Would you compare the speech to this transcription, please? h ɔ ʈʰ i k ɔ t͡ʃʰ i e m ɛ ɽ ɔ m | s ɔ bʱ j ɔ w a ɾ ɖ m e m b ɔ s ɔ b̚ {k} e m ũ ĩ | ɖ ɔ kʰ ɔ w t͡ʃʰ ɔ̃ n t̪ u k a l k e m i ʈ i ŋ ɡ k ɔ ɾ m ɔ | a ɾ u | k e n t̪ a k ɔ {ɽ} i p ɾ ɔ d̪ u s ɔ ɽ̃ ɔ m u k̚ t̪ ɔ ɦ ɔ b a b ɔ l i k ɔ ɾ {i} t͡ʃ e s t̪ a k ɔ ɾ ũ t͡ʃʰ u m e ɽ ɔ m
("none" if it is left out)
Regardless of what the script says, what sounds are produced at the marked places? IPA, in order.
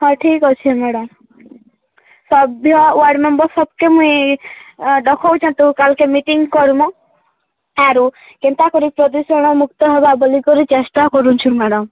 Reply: k, ɾ, i

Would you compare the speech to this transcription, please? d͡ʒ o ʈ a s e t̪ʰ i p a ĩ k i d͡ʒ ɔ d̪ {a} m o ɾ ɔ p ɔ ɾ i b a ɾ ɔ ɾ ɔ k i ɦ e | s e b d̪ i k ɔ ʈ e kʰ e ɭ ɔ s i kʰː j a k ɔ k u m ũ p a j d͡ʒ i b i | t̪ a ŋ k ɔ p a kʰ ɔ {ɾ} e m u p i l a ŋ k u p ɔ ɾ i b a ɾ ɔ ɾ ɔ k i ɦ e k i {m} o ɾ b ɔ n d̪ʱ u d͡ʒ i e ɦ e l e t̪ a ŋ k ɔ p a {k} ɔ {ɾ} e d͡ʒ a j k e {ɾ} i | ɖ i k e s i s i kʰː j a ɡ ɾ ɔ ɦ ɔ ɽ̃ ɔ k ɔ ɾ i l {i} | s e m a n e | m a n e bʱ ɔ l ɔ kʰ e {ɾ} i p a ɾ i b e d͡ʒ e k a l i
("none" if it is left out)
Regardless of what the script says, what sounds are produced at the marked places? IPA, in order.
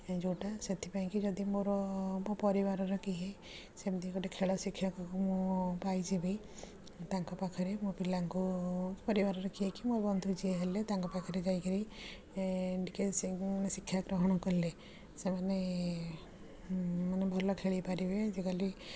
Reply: i, ɾ, m, kʰ, ɾ, ɾ, e, ɭ

